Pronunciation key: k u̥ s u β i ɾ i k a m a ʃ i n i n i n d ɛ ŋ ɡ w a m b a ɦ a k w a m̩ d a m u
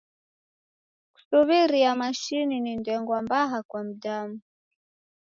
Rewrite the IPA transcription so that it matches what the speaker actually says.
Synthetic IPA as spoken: k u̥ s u β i ɾ i a m a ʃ i n i n i n d ɛ ŋ ɡ w a m b a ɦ a k w a m̩ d a m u